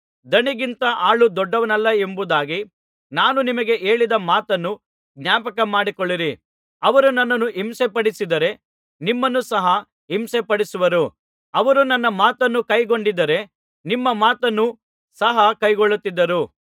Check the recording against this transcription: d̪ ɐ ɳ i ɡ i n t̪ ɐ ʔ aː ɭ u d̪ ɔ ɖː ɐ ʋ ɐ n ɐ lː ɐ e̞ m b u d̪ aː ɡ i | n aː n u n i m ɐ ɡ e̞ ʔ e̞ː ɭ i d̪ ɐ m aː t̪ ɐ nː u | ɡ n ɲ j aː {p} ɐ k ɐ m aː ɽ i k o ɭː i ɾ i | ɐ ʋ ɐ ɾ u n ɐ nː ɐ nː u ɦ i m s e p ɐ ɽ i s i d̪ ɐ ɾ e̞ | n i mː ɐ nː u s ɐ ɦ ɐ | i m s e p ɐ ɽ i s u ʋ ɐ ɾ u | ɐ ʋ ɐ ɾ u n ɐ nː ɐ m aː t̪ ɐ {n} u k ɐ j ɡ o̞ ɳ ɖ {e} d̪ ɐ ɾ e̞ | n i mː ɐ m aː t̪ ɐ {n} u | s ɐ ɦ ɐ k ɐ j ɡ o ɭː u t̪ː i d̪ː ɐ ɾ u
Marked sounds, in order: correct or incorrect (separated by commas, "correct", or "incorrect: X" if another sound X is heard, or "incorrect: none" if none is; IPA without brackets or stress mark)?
correct, incorrect: nː, incorrect: i, incorrect: nː